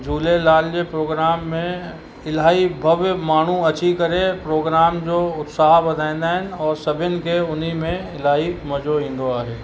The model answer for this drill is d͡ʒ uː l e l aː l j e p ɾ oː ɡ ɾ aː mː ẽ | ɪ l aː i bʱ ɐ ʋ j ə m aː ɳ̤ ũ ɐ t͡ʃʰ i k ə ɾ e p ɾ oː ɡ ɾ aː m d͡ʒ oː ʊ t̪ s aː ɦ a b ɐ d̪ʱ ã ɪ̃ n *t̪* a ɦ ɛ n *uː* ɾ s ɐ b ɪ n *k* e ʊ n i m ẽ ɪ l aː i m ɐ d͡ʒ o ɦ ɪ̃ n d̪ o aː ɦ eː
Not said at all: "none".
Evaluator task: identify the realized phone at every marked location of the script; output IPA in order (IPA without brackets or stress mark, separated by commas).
d̪, ɔː, k